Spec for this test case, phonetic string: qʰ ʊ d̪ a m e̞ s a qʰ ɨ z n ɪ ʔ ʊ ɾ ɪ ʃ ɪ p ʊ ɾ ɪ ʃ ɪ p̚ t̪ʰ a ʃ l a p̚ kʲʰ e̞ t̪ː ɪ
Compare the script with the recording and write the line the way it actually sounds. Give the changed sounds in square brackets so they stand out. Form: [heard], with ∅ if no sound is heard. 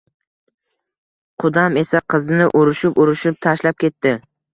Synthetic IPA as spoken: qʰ ʊ d̪ a m e̞ s a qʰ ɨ z n ɪ ʔ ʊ ɾ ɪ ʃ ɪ p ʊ ɾ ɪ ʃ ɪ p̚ t̪ʰ a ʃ l a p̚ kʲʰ e̞ t̪ː ɪ